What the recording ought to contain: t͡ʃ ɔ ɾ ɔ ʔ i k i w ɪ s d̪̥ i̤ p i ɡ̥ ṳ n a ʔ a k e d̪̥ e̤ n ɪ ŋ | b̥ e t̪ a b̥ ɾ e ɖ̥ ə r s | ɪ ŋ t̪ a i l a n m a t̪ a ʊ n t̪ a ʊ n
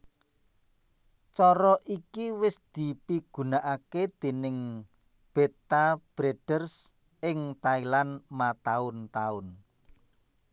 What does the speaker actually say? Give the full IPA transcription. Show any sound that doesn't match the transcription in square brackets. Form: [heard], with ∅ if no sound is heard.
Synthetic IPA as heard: t͡ʃ ɔ ɾ ɔ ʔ i k i w ɪ s d̪̥ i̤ p i ɡ̥ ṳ n a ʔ a k e d̪̥ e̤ n ɪ ŋ | b̥ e t̪ a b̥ ɾ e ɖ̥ ə r s | ɪ ŋ t̪ a i l a n m a t̪ a ʊ n t̪ a ʊ n